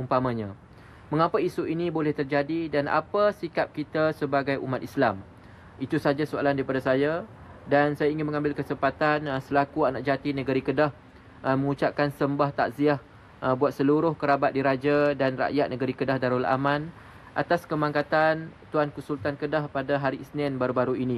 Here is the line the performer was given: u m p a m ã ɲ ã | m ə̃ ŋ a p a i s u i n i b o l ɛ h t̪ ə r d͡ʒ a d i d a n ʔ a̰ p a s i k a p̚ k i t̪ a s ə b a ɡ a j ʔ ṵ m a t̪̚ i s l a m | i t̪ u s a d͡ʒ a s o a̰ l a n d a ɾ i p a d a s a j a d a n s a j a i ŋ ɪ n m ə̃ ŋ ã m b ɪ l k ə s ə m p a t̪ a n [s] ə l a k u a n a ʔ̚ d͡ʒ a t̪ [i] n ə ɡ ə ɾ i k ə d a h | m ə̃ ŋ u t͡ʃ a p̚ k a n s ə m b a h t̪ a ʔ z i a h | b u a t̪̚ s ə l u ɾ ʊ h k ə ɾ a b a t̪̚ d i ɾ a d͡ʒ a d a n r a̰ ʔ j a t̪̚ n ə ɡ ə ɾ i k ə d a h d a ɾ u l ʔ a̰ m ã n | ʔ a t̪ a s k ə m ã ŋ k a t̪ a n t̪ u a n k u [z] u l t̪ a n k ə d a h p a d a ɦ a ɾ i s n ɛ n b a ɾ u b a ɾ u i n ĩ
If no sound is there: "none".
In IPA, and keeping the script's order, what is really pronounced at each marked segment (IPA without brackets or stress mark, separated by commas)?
s, i, s